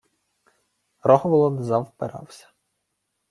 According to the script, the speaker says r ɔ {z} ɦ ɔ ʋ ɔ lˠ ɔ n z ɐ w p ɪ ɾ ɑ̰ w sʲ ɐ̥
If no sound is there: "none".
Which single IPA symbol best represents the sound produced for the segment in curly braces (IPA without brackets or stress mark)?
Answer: none